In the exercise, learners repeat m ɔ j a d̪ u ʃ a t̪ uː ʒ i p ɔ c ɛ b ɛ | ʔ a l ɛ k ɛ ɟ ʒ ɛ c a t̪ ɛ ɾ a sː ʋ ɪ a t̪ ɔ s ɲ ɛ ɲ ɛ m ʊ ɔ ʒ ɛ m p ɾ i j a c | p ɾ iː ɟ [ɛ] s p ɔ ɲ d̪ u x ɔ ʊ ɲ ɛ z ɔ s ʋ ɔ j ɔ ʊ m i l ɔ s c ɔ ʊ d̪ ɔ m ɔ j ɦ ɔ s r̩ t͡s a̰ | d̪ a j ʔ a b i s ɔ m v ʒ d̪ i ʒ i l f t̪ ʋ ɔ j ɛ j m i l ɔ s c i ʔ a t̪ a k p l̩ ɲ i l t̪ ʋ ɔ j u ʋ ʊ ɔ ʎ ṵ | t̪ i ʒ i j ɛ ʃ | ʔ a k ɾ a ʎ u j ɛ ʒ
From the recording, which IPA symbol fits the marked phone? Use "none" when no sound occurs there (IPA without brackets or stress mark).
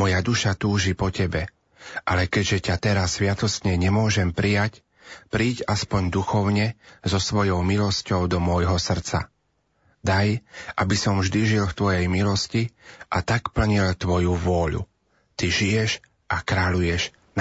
a